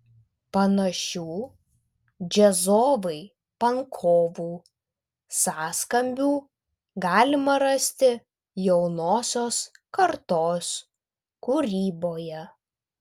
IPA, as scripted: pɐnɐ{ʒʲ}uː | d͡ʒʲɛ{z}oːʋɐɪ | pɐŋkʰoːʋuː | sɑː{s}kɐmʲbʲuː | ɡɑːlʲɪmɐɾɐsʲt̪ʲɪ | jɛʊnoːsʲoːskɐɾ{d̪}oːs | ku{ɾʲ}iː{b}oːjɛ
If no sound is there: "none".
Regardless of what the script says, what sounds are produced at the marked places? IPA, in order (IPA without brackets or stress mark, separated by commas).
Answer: ʃʲ, z, s, t̪, ɾʲ, b